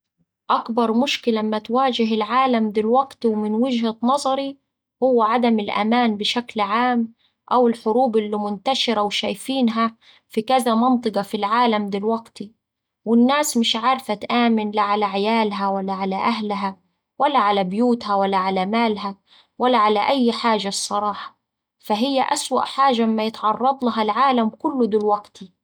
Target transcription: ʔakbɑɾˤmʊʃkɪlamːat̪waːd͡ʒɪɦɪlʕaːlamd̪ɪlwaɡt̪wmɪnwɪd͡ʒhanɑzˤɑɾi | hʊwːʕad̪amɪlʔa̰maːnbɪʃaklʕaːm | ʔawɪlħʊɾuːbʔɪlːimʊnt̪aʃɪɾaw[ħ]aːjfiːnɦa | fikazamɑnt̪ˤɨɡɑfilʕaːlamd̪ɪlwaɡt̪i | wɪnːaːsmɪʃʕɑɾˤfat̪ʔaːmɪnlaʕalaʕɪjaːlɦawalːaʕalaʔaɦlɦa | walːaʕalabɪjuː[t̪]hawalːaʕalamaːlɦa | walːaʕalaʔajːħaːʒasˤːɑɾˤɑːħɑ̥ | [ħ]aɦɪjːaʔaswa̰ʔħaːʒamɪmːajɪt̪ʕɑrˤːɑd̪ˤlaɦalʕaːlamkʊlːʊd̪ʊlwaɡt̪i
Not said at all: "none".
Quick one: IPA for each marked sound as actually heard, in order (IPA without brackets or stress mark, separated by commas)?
ʃ, t̪, f